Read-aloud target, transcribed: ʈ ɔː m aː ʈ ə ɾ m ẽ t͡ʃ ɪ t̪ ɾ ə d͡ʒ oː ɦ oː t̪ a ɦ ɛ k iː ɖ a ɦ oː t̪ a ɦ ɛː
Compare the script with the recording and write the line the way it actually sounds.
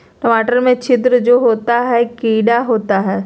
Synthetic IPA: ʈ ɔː m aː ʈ ə ɾ m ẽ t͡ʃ ɪ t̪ ɾ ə d͡ʒ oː ɦ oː t̪ a ɦ ɛ k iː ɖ a ɦ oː t̪ a ɦ ɛː